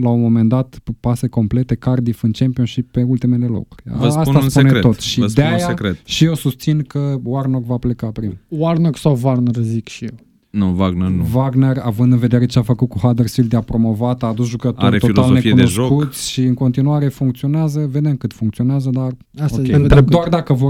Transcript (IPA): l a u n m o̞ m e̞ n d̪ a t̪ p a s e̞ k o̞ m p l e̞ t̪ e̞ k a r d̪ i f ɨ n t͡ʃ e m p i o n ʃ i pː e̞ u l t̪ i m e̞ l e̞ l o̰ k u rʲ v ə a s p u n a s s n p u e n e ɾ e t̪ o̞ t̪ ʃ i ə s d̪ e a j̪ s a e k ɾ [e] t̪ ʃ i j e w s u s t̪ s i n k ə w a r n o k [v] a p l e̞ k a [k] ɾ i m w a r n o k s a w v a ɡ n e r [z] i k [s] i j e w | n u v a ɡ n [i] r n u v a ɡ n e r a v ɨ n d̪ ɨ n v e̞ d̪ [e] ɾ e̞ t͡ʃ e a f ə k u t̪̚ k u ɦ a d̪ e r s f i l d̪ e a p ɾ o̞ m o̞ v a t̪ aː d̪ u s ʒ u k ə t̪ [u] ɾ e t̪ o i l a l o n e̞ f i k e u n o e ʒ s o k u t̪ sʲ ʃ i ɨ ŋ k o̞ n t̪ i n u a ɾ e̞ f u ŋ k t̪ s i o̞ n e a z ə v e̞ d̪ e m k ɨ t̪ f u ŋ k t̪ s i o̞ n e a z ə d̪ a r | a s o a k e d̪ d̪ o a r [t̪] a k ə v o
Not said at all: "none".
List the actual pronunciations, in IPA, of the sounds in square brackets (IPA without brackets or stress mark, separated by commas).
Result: e, v, p, z, ʃ, e, e, o, d̪